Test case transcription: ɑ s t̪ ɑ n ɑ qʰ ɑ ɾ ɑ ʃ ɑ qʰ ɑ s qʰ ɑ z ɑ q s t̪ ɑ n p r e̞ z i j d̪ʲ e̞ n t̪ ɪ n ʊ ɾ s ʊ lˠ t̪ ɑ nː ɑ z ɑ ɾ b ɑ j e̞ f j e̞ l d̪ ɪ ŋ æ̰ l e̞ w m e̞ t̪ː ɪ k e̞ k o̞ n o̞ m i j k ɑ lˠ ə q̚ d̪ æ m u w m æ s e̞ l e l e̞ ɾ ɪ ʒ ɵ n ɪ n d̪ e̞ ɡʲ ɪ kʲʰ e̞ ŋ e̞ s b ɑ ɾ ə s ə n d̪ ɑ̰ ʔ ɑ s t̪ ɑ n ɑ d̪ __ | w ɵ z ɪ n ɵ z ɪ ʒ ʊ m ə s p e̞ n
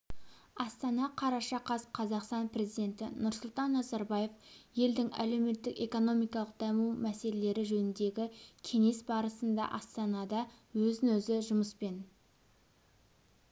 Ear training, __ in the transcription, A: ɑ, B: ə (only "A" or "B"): A